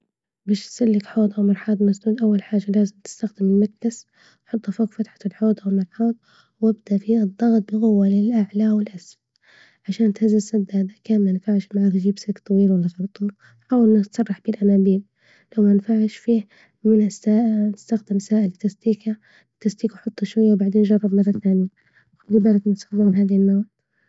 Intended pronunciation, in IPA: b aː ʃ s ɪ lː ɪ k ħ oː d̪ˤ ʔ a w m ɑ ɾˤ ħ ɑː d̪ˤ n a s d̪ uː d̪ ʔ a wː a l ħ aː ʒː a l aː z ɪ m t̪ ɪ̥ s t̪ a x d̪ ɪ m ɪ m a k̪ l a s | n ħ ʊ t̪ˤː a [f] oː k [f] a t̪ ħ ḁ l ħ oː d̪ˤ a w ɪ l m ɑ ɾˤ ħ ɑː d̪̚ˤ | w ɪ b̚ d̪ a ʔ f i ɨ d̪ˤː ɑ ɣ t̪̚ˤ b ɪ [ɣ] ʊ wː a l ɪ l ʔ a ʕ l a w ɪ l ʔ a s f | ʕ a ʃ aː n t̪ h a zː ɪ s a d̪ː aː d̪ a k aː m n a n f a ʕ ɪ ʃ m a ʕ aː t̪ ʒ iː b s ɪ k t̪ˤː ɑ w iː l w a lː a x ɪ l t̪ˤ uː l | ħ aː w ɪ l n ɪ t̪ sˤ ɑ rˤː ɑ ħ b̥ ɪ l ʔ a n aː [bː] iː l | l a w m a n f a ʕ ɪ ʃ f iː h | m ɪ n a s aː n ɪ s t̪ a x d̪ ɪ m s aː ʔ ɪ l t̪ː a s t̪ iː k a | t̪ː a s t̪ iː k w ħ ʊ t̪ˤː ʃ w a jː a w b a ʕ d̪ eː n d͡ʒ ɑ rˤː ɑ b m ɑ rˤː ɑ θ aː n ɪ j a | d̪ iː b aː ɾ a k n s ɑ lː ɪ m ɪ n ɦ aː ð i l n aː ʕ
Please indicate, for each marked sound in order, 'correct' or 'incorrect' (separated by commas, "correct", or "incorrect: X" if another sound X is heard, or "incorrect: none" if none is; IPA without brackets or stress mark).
correct, correct, correct, incorrect: b